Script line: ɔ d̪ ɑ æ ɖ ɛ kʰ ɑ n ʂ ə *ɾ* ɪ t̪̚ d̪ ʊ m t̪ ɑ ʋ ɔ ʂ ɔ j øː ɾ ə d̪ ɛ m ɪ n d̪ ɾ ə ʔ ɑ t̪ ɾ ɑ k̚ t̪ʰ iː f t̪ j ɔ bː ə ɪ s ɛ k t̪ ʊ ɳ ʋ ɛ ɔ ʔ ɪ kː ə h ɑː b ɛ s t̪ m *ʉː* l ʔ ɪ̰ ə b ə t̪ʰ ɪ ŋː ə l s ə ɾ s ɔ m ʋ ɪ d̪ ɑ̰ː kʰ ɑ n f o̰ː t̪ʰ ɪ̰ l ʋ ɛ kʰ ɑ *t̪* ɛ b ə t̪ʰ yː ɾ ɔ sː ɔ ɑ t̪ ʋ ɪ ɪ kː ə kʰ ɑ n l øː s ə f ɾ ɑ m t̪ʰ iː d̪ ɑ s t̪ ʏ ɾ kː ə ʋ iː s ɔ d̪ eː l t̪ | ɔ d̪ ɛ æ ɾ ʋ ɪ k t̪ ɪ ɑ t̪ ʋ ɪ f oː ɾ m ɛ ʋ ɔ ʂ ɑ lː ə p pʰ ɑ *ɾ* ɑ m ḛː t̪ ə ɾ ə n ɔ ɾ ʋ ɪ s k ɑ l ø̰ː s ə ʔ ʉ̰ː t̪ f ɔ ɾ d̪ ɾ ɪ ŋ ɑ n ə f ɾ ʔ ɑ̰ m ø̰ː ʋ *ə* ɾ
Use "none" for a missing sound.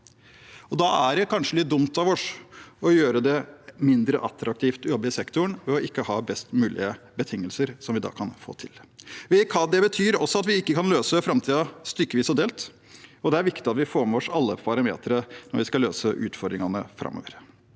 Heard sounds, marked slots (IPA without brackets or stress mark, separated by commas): l, ʉː, d̪, ɾ, ə